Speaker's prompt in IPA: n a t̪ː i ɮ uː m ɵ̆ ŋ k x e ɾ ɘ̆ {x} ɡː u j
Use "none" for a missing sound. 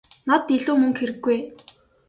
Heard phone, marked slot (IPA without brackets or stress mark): none